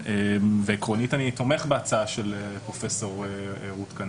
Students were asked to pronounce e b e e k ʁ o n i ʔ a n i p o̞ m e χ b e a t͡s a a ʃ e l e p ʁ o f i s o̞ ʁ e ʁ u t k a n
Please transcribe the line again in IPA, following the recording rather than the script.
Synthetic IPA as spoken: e v e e k ʁ o n i t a n i t o̞ m e χ b e a t͡s a a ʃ e l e p ʁ o f e s o̞ ʁ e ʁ u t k a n

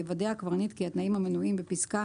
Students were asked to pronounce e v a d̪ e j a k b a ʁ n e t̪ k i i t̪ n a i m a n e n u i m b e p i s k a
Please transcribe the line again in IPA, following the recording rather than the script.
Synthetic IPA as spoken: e v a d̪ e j a k v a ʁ n i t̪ k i a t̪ n a i m a m e n u i m b e p i s k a

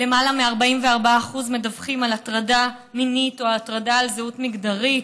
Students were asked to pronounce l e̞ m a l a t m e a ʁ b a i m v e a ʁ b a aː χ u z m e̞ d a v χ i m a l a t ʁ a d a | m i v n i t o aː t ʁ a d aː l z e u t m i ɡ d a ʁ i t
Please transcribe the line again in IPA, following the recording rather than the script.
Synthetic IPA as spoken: l e̞ m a l a m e a ʁ b a i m v e a ʁ b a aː χ u z m e̞ d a v χ i m a l a t ʁ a d a | m i n i t o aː t ʁ a d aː l z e u t m i ɡ d a ʁ i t

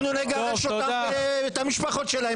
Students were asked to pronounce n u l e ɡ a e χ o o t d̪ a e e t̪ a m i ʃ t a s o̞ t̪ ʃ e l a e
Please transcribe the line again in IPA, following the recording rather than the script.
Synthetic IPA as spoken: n u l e ɡ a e ʃ o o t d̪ a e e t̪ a m i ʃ p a χ o̞ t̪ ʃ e l a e

